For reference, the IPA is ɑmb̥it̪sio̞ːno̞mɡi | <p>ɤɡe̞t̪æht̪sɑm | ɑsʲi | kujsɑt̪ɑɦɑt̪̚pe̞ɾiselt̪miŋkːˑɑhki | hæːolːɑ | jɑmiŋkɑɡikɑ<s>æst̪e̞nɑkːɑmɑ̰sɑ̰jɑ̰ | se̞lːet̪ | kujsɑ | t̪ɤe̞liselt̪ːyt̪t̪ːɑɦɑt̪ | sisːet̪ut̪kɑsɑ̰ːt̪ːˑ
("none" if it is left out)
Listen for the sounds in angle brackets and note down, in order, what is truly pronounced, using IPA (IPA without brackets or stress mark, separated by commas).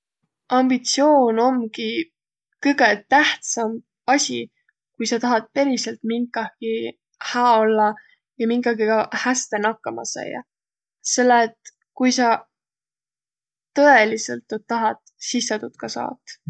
k, h